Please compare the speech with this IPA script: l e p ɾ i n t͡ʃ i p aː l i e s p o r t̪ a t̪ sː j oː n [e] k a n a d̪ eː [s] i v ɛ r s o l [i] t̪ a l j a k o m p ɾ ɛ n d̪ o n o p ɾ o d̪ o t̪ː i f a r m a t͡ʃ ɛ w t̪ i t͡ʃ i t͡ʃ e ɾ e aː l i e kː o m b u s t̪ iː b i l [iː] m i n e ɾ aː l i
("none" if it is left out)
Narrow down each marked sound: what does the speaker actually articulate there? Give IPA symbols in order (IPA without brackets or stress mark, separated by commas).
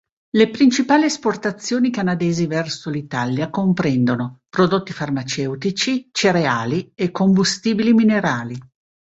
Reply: i, z, i, i